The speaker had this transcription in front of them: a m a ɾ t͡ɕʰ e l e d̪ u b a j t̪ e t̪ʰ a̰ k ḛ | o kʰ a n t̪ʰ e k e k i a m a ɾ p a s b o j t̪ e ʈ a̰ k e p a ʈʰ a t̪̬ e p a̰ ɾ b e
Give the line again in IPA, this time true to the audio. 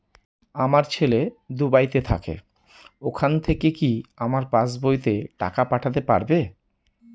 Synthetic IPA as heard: a m a ɾ t͡ɕʰ e l e d̪ u b a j t̪ e t̪ʰ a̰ k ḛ | o kʰ a n t̪ʰ e k e k i a m a ɾ p a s b o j t̪ e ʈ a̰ k a p a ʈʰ a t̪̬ e p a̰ ɾ b e